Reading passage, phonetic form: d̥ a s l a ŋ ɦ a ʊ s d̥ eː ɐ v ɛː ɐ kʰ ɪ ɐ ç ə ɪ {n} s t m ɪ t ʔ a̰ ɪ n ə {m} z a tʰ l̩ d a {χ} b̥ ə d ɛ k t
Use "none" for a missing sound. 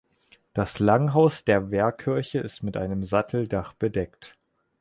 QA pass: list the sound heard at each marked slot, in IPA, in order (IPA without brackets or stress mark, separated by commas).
none, m, χ